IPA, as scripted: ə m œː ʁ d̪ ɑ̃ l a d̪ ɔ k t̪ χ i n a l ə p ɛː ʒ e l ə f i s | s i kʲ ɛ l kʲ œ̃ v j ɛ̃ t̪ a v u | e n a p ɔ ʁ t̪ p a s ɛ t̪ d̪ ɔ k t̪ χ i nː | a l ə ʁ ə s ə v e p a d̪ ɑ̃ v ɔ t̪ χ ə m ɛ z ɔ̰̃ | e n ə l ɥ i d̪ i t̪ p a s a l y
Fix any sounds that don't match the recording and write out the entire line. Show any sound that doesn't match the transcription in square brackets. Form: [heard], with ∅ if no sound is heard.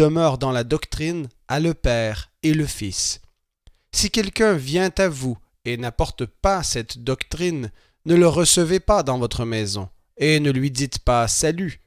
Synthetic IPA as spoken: ə m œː ʁ d̪ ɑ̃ l a d̪ ɔ k t̪ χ i n a l ə p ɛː [ʁ] e l ə f i s | s i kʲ ɛ l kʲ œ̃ v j ɛ̃ t̪ a v u | e n a p ɔ ʁ t̪ p a s ɛ t̪ d̪ ɔ k t̪ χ i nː | [ə] l ə ʁ ə s ə v e p a d̪ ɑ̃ v ɔ t̪ χ ə m ɛ z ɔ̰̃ | e n ə l ɥ i d̪ i t̪ p a s a l y